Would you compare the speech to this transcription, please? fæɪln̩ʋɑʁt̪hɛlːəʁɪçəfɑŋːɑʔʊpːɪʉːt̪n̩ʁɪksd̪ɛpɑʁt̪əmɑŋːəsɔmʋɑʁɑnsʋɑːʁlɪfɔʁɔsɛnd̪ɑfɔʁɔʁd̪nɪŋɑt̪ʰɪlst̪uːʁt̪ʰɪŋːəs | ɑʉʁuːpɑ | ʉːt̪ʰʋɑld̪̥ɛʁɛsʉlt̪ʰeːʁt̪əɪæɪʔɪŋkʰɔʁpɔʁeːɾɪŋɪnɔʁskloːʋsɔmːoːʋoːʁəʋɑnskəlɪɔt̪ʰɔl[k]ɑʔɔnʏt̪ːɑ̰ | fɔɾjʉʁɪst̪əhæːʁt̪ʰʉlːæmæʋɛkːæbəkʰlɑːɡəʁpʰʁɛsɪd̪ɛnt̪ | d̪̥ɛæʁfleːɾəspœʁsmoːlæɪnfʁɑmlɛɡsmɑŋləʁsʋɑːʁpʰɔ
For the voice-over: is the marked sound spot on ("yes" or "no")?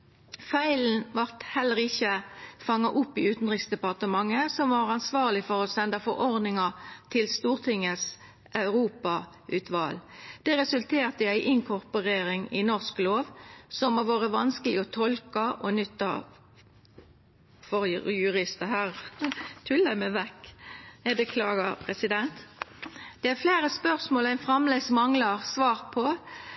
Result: yes